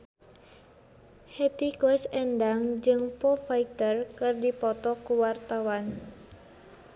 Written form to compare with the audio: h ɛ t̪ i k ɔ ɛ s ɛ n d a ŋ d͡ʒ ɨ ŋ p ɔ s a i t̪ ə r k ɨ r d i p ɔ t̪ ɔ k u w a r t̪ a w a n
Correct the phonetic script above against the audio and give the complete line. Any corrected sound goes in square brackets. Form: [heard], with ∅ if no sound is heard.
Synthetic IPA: h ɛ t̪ i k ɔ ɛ s ɛ n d a ŋ d͡ʒ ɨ ŋ p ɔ [f] a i t̪ ə r k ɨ r d i p ɔ t̪ ɔ k u w a r t̪ a w a n